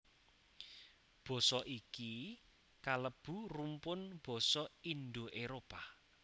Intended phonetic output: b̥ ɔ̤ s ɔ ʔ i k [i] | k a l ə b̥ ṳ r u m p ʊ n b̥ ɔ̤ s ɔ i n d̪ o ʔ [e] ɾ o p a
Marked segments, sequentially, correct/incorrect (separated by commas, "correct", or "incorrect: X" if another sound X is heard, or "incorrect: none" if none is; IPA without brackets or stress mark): correct, correct